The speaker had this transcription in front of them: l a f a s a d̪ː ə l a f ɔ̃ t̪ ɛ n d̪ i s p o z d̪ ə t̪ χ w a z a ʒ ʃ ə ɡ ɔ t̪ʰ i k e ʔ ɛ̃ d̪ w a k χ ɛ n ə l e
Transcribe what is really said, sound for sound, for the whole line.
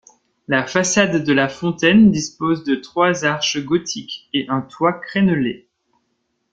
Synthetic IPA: l a f a s a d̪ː ə l a f ɔ̃ t̪ ɛ n d̪ i s p o z d̪ ə t̪ χ w a z a ʁ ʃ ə ɡ ɔ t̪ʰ i k e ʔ ɛ̃ t̪ w a k χ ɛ n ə l e